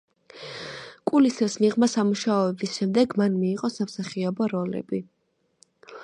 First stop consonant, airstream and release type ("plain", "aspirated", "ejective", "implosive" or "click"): ejective